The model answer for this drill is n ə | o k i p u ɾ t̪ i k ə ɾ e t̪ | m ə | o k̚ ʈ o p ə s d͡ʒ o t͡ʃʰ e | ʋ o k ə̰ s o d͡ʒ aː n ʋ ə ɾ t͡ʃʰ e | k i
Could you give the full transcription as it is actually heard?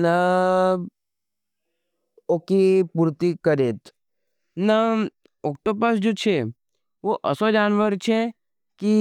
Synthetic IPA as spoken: n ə | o k i p u ɾ t̪ i k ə ɾ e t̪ | n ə | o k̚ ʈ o p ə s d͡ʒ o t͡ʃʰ e | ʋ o ʔ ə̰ s o d͡ʒ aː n ʋ ə ɾ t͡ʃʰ e | k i